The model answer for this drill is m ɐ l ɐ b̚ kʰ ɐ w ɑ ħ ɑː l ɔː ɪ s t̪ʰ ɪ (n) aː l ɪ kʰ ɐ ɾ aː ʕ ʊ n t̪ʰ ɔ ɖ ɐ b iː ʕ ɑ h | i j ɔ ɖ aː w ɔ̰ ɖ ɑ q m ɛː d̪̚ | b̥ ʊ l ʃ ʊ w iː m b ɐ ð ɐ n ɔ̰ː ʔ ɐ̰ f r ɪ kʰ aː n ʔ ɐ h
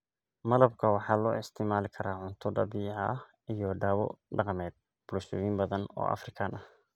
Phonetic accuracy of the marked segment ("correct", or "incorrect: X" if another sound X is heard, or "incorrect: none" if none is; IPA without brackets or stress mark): incorrect: m